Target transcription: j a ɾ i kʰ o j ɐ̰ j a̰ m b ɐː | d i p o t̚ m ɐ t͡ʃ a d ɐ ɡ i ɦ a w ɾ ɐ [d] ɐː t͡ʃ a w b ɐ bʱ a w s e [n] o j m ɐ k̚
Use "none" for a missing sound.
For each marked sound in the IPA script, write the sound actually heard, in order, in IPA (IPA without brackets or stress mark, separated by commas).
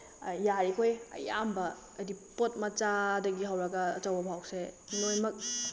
ɡ, n